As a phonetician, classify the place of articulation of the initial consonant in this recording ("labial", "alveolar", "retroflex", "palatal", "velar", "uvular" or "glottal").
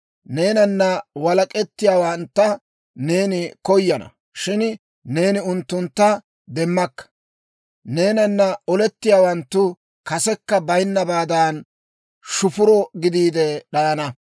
alveolar